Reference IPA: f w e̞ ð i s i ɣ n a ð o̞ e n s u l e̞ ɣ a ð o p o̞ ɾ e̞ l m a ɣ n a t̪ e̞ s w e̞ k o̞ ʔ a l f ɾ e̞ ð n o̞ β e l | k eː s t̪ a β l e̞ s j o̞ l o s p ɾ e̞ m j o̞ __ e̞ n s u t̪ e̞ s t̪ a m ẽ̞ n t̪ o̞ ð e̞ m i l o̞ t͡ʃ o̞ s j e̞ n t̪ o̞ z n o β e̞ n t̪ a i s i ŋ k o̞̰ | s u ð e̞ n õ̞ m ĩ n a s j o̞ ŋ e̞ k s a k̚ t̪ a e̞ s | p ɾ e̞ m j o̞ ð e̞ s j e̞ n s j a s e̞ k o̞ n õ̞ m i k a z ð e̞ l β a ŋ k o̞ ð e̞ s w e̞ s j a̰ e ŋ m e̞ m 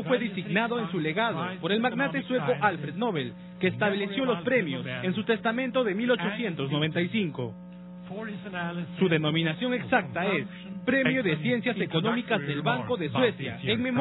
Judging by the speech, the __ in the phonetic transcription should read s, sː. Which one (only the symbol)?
s